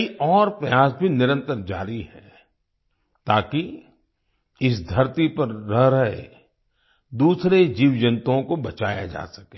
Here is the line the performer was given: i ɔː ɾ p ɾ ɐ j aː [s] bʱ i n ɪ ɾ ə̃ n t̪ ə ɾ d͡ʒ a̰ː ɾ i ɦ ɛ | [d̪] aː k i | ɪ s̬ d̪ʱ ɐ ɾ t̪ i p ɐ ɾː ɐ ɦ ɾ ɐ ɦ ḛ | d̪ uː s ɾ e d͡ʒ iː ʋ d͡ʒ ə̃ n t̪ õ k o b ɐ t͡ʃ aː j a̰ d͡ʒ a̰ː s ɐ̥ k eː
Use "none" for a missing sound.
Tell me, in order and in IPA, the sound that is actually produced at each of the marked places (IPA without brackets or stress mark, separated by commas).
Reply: s, t̪